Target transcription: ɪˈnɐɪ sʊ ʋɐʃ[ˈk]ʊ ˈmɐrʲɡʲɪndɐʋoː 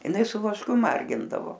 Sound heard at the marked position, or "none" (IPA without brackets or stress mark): k